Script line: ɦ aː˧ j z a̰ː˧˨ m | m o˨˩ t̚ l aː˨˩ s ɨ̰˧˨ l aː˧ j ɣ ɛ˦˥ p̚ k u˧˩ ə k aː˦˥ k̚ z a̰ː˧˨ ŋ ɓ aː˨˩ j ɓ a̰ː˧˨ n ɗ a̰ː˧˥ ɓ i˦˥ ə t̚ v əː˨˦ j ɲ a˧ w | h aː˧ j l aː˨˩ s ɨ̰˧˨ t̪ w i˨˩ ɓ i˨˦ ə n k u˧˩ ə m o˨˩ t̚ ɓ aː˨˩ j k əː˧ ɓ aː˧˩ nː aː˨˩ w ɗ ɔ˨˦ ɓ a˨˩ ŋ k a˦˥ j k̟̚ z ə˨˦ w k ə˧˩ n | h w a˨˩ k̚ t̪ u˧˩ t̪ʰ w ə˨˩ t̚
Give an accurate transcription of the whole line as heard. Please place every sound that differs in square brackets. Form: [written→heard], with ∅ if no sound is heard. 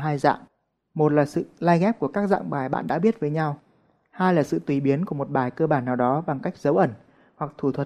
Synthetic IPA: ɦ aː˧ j z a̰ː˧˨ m | m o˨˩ t̚ l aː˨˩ s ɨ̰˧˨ l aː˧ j ɣ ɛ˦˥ p̚ k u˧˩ ə k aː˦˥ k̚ z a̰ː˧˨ ŋ ɓ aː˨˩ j ɓ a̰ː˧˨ n ɗ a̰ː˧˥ ɓ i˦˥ ə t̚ v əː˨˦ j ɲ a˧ w | h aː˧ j l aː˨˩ s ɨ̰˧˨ t̪ w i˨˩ ɓ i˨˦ ə n k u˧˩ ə m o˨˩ t̚ ɓ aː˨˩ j k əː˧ ɓ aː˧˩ nː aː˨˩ w ɗ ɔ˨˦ ɓ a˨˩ ŋ k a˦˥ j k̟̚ z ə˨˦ w [k→ʔ] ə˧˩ n | h w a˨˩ k̚ [t̪→t̪ʰ] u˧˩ t̪ʰ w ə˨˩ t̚